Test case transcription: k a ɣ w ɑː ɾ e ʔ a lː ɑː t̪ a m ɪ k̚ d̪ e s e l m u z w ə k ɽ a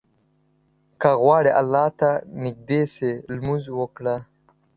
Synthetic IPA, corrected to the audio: k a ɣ w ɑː ɽ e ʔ a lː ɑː t̪ a n ɪ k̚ d̪ e s e l m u z w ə k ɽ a